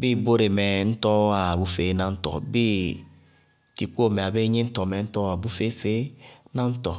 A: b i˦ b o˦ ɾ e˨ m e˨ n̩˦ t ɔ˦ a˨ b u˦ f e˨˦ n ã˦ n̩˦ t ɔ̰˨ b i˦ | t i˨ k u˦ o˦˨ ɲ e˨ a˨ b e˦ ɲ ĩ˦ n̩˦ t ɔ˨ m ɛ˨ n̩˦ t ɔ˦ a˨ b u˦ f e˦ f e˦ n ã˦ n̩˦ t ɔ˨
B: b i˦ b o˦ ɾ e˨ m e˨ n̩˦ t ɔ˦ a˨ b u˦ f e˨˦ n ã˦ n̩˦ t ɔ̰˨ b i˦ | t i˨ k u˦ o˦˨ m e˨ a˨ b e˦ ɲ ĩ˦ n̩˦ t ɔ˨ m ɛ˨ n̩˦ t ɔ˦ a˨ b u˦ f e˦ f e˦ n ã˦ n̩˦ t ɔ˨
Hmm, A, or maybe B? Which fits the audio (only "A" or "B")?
B